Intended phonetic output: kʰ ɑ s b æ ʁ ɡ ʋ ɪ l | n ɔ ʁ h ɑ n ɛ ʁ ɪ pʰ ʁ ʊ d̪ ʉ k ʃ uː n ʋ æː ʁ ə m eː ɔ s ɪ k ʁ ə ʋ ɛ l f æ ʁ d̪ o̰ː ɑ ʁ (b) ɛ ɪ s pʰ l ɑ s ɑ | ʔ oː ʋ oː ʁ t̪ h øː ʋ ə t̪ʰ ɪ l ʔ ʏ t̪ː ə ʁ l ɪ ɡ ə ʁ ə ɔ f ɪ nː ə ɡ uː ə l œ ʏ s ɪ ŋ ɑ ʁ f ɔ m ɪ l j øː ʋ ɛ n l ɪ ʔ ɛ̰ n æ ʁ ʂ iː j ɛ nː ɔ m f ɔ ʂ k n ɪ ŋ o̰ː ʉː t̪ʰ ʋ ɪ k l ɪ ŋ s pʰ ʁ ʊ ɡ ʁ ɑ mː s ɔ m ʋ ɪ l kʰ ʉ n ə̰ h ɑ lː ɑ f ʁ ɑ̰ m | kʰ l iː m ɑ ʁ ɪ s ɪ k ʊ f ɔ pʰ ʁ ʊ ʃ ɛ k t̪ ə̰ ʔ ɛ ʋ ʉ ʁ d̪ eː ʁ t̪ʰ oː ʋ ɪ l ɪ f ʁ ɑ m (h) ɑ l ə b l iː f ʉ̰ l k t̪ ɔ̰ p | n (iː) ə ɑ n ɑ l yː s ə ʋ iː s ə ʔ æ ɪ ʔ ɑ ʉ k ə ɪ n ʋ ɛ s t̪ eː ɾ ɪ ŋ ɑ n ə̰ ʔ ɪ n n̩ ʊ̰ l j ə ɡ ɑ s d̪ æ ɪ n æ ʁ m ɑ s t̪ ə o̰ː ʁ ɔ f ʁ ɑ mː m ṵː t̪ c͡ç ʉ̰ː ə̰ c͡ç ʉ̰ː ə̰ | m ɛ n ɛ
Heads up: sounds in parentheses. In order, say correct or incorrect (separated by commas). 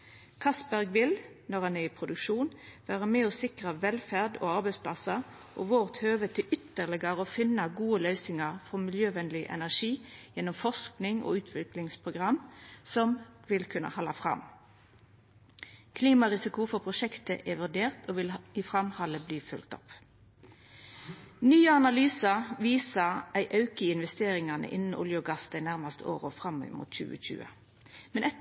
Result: correct, correct, incorrect